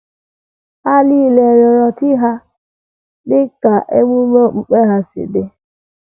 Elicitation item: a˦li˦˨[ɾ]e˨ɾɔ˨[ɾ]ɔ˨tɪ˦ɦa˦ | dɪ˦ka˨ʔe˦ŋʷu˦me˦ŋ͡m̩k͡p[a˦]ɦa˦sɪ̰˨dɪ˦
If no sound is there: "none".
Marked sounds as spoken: l, ɾ, e˦

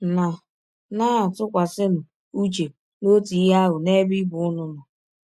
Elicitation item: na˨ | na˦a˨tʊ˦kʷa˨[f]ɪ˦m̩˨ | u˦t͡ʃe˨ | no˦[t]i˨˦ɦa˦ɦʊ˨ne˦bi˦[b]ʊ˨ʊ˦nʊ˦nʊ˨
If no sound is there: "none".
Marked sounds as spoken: s, t, b

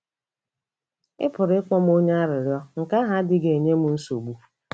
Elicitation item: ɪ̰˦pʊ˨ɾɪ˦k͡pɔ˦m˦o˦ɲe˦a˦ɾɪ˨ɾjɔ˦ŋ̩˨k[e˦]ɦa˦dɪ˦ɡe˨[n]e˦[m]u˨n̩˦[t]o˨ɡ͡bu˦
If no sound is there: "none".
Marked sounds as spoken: a˦, ɲ, m, s

